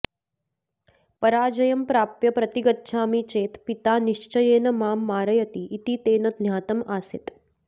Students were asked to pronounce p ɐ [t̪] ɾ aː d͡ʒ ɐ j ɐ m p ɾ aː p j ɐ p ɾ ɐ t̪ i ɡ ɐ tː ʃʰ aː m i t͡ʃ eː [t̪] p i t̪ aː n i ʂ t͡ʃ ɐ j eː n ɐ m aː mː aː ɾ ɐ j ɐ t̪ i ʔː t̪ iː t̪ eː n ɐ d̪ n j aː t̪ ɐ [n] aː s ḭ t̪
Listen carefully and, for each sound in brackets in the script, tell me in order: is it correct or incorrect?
incorrect: none, correct, incorrect: m

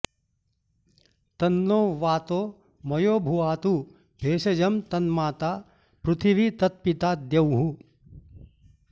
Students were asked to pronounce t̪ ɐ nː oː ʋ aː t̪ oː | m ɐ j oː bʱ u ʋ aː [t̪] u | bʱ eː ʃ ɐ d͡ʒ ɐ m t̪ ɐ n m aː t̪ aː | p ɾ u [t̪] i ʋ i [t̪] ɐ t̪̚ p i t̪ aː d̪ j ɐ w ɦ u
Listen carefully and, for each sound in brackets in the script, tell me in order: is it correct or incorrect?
correct, incorrect: t̪ʰ, correct

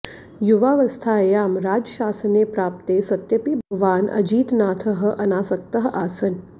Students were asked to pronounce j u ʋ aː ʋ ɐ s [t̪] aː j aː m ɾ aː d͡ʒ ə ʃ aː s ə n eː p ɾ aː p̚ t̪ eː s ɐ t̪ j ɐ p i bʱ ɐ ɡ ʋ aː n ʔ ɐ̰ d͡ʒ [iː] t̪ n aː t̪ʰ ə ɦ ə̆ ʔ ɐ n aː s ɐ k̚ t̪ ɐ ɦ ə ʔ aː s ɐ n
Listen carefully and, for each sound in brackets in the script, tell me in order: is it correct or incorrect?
incorrect: t̪ʰ, correct

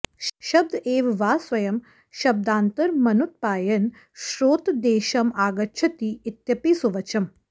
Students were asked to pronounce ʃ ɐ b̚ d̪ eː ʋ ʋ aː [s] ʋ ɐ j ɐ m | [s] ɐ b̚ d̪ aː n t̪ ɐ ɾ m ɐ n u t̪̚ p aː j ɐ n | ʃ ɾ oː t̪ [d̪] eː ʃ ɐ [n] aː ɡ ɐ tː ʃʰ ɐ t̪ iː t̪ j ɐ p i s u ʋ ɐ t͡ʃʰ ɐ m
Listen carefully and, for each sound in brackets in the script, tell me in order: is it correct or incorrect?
correct, incorrect: ʃ, correct, incorrect: m

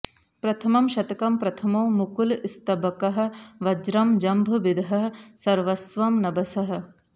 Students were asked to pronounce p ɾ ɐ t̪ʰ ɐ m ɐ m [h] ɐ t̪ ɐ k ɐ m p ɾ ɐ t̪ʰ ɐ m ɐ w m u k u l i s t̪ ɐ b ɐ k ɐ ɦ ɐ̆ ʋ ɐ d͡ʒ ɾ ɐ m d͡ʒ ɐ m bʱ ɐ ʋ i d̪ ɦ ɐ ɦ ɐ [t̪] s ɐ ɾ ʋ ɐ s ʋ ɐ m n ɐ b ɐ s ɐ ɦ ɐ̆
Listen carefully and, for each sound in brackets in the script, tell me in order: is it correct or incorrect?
incorrect: ʃ, incorrect: none

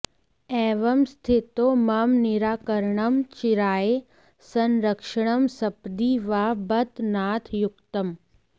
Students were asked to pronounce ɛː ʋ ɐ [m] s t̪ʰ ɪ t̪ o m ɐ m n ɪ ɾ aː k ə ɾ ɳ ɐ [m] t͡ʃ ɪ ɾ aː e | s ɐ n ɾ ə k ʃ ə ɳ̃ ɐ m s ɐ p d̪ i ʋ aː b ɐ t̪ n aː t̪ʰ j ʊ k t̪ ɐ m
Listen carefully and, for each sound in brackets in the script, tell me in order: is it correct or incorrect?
correct, correct

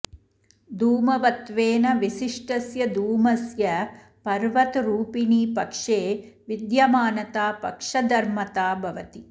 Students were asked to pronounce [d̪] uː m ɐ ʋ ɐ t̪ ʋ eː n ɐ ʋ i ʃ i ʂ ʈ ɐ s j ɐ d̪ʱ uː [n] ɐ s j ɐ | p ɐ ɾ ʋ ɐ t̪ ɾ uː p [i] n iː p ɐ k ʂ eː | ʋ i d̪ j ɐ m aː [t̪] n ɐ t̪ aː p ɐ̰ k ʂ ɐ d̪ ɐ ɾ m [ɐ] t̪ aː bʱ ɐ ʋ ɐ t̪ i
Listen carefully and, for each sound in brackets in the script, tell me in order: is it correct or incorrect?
correct, incorrect: m, correct, incorrect: none, correct

